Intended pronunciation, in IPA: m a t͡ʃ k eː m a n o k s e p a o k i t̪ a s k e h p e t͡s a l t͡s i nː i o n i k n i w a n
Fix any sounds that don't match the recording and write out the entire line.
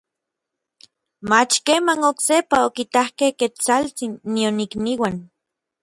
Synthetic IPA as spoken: m a t͡ʃ k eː m a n o k s e p a o k i t̪ a h k e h k e t͡s a l t͡s i nː i o n i k n i w a n